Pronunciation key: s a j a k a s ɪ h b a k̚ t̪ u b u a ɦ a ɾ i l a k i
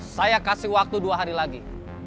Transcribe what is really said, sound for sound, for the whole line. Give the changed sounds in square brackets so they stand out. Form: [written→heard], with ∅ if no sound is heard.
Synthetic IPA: s a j a k a s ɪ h [b→w] a k̚ t̪ u [b→d] u a ɦ a ɾ i l a [k→ɡ] i